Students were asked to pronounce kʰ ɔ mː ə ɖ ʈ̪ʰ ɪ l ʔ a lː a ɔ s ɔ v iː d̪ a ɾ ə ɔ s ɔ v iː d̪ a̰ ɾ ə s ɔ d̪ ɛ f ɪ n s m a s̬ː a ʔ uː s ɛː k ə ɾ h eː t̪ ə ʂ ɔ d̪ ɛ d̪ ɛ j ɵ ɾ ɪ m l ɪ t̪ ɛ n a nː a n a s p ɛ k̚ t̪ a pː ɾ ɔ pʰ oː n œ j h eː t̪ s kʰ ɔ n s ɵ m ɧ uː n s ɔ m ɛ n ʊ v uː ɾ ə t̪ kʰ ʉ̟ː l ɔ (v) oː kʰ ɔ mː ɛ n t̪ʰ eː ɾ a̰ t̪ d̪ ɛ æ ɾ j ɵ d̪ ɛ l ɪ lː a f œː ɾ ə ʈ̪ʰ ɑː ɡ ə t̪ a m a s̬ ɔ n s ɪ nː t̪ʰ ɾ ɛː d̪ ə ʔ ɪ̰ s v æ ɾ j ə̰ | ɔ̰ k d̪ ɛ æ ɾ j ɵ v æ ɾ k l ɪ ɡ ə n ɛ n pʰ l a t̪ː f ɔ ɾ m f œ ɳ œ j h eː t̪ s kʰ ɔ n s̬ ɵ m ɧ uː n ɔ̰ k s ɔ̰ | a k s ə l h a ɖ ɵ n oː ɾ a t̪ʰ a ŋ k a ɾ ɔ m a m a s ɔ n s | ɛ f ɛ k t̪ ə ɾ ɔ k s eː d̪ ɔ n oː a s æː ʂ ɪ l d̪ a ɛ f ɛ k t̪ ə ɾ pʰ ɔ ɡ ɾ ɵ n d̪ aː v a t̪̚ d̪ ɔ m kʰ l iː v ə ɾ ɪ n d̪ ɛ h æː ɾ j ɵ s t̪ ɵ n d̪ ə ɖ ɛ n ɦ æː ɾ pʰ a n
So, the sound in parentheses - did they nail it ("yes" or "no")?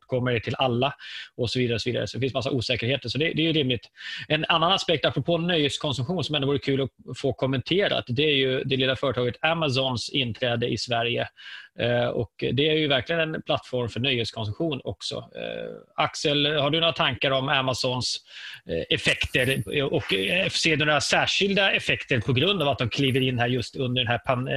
no